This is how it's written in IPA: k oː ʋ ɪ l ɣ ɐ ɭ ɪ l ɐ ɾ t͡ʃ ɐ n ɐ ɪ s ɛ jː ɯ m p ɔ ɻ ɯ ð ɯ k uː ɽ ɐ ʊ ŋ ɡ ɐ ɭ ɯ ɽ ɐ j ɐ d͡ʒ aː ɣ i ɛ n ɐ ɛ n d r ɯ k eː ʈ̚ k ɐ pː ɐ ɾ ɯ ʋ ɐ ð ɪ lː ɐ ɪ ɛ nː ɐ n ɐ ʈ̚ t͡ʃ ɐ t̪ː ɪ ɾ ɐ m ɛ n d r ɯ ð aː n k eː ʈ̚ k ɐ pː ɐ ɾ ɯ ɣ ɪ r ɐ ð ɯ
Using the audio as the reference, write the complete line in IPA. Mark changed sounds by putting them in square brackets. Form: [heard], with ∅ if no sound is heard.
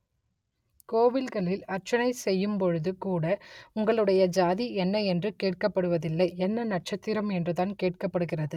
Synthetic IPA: k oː ʋ ɪ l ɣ ɐ ɭ ɪ l ɐ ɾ t͡ʃ ɐ n ɐ ɪ s ɛ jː ɯ m p ɔ ɻ ɯ ð ɯ k uː ɽ ɐ ʊ ŋ ɡ ɐ ɭ ɯ ɽ ɐ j ɐ d͡ʒ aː [ð] i ɛ [nː] ɐ ɛ n d r ɯ k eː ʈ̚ k ɐ pː ɐ [ɽ] ɯ ʋ ɐ ð ɪ lː ɐ ɪ ɛ nː ɐ n ɐ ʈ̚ t͡ʃ ɐ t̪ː ɪ ɾ ɐ m ɛ n d r ɯ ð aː n k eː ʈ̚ k ɐ pː ɐ [ɽ] ɯ ɣ ɪ r ɐ ð ɯ